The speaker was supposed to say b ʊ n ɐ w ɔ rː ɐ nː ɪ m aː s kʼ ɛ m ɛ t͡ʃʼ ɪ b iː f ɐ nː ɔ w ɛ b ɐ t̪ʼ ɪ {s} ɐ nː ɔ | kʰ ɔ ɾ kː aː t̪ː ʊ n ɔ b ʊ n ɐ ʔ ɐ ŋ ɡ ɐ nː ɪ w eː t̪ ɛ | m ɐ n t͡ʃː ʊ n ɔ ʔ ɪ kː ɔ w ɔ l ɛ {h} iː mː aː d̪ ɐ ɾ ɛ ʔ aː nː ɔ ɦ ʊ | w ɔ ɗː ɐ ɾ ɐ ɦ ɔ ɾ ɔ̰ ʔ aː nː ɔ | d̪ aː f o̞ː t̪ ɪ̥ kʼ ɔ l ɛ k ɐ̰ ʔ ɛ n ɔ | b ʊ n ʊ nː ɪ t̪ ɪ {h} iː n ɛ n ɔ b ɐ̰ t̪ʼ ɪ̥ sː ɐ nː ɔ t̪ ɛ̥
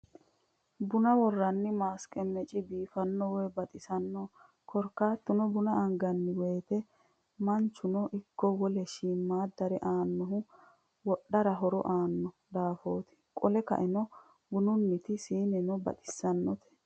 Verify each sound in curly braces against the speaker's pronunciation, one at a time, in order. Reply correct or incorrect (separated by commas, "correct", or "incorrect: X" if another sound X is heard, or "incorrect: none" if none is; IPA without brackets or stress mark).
correct, incorrect: ʃ, incorrect: s